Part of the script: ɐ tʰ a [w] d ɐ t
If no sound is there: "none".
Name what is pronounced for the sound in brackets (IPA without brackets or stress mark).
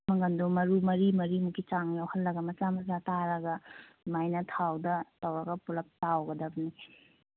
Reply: w